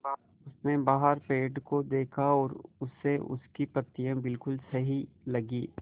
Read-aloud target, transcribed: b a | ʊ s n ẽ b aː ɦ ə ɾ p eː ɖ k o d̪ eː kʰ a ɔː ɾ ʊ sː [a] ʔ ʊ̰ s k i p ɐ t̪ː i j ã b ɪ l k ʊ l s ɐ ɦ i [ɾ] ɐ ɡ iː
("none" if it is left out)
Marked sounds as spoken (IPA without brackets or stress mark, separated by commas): e, l